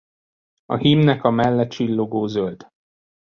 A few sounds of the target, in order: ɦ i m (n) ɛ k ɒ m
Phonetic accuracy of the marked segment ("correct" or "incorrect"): correct